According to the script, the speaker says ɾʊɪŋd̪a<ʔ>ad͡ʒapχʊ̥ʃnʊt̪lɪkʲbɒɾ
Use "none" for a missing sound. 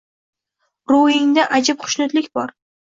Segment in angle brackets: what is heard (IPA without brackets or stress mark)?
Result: ʔ